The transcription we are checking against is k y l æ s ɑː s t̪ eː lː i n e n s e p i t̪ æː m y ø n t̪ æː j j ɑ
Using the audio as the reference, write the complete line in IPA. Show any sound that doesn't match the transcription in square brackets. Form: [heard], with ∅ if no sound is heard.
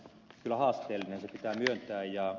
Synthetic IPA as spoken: k y l æ [h] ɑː s t̪ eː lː i n e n s e p i t̪ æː m y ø n t̪ æː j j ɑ